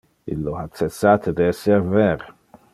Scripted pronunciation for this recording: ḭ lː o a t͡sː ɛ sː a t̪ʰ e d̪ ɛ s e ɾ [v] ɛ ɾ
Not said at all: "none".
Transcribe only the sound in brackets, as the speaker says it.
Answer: v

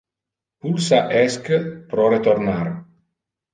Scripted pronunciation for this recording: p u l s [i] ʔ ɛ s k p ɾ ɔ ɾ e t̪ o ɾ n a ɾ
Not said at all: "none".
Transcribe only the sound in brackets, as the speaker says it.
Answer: a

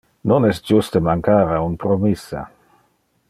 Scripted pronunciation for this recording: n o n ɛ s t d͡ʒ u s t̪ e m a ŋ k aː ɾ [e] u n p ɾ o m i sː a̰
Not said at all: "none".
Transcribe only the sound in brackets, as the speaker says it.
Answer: a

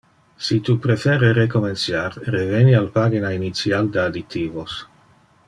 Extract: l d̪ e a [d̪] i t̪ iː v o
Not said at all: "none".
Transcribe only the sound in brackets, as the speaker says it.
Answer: d̪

